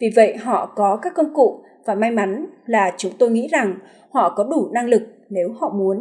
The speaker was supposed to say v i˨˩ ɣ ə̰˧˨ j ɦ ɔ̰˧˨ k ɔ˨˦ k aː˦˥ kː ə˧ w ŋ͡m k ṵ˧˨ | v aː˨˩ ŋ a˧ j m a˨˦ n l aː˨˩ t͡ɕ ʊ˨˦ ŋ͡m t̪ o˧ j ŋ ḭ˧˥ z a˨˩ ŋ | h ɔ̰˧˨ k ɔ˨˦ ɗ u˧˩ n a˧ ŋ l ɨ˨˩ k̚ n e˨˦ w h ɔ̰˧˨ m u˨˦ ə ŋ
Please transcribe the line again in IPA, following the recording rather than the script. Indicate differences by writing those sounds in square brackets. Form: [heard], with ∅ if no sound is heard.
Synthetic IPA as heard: v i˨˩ [v] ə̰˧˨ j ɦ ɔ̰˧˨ k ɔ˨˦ k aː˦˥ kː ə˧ w ŋ͡m k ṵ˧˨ | v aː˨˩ [m] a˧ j m a˨˦ n l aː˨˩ t͡ɕ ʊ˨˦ ŋ͡m t̪ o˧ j ŋ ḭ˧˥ z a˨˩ ŋ | h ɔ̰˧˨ k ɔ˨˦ ɗ u˧˩ n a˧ ŋ l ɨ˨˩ k̚ n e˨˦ w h ɔ̰˧˨ m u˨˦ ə [n]

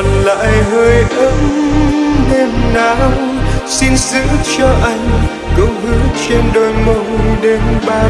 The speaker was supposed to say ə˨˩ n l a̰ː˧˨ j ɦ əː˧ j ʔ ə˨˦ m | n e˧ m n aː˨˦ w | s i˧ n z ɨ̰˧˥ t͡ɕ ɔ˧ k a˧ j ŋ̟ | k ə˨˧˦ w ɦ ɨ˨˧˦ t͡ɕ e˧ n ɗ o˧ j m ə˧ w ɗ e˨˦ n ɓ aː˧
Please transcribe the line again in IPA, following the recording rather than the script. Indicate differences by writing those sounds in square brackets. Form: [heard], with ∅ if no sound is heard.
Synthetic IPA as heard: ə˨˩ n l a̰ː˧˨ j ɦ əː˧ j ʔ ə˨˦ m | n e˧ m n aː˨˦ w | s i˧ n z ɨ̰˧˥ t͡ɕ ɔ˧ [ʔ] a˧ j ŋ̟ | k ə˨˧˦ w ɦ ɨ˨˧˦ t͡ɕ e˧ n ɗ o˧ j m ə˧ w ɗ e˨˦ n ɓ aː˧

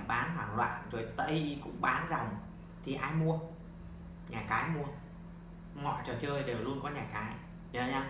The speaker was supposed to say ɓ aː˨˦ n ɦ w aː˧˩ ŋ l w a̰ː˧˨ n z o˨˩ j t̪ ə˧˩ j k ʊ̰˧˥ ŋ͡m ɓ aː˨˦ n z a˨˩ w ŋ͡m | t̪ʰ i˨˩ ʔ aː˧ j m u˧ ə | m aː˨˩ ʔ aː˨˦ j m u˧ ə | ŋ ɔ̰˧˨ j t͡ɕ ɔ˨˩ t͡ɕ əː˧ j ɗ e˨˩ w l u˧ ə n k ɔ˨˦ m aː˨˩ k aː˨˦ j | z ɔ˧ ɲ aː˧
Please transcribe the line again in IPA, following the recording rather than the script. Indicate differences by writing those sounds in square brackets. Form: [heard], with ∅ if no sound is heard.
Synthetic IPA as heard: ɓ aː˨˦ n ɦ w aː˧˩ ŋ l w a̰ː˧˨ n z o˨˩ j t̪ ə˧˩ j k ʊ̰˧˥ ŋ͡m ɓ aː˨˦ n z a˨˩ w ŋ͡m | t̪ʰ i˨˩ ʔ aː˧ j m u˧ ə | [ɲ] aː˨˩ [k] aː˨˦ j m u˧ ə | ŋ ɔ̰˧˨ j t͡ɕ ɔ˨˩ t͡ɕ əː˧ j ɗ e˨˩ w l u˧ ə n k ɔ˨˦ [ɲ] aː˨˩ k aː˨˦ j | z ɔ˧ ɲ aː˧

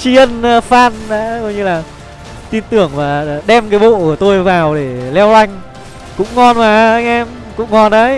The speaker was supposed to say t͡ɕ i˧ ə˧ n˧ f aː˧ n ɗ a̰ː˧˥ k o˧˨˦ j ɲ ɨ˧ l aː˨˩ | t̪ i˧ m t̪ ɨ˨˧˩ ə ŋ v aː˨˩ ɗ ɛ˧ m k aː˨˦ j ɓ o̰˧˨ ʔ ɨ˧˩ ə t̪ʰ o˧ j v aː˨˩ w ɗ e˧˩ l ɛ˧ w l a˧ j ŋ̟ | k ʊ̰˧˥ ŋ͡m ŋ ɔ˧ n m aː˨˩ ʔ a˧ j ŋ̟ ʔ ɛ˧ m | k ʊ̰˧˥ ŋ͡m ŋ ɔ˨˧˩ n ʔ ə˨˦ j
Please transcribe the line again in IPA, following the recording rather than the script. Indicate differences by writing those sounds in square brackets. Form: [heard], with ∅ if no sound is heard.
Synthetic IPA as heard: t͡ɕ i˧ ə˧ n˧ f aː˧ n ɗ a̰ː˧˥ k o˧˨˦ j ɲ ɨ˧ l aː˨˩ | t̪ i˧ [n] t̪ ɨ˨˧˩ ə ŋ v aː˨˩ ɗ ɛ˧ m k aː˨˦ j ɓ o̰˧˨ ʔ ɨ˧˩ ə [t̪] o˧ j v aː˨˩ w ɗ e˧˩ l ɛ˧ w l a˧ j ŋ̟ | k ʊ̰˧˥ ŋ͡m ŋ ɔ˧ n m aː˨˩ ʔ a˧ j ŋ̟ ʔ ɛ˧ m | k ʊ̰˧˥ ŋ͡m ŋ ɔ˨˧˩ n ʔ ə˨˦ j

